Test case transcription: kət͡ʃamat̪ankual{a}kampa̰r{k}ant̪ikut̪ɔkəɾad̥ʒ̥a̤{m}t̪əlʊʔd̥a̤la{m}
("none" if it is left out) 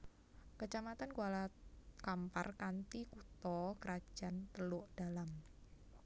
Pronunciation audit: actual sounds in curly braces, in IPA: a, k, n, m

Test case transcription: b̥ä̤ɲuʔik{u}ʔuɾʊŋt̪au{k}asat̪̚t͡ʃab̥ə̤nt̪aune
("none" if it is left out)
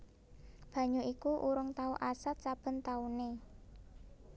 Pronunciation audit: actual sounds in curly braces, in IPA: u, ʔ

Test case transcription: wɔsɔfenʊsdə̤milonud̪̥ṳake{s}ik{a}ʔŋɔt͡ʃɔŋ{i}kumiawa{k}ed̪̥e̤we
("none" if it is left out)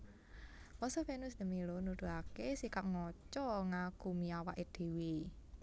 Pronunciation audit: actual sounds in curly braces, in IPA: s, a, a, ʔ

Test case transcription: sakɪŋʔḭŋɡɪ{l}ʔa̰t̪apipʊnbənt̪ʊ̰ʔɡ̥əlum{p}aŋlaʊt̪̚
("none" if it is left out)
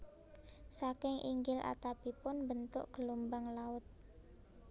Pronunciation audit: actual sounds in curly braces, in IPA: l, b

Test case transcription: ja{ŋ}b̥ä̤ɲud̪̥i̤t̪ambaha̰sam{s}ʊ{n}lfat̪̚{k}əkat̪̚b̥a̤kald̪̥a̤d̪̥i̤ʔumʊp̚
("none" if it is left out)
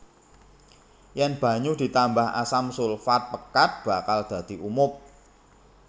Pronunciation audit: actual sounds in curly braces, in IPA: n, s, none, p

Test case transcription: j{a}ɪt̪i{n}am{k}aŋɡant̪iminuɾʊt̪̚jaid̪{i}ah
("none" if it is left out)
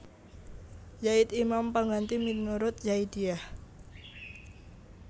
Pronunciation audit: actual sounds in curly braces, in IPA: a, m, p, i

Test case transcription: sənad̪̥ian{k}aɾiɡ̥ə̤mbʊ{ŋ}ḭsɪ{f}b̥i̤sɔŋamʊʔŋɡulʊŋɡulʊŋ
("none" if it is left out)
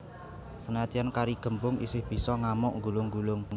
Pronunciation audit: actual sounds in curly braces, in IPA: k, ŋ, h

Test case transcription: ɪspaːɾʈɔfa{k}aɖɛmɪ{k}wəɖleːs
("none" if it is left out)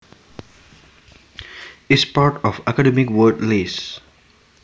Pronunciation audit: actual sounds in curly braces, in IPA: k, k

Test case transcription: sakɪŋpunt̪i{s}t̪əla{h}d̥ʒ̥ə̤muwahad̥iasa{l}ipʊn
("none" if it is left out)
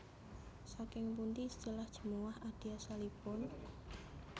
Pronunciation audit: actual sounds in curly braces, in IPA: s, h, l

